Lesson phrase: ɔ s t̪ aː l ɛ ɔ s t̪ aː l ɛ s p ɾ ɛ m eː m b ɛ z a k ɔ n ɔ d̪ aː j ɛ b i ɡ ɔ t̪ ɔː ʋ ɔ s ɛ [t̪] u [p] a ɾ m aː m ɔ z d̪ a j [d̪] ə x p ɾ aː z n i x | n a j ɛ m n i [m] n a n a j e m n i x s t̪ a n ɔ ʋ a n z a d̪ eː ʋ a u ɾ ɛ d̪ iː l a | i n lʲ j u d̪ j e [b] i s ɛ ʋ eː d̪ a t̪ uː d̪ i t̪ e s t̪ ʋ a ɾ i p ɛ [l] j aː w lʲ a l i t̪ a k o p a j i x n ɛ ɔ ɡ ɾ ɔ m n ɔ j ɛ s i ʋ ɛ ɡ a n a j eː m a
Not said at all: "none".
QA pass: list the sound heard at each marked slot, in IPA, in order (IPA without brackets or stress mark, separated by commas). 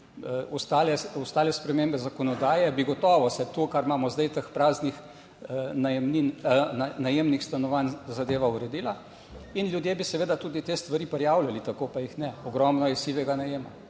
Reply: t̪, k, t̪, n, b, ɾ